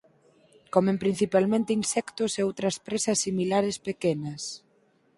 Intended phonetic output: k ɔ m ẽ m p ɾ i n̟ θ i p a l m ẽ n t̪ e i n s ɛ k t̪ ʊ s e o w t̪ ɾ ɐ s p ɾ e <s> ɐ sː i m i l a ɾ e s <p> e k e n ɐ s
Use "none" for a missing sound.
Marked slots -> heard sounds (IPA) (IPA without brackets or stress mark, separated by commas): s, p